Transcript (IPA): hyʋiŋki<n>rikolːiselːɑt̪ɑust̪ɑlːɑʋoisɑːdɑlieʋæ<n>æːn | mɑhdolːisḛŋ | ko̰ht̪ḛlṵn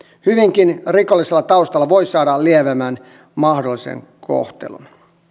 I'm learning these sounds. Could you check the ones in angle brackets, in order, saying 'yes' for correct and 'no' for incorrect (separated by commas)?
yes, no